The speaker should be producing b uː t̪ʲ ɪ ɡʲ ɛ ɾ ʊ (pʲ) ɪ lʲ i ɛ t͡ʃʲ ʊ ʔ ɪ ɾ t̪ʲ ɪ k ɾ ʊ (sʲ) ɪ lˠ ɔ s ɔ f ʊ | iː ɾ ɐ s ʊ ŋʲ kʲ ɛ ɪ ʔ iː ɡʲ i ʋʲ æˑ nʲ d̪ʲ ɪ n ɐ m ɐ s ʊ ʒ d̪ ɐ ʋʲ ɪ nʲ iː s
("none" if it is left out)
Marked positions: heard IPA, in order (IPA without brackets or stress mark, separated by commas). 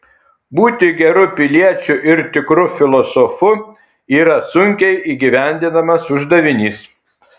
pʲ, fʲ